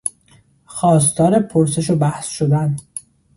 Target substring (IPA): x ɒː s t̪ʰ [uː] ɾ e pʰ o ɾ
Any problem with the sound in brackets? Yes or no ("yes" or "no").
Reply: yes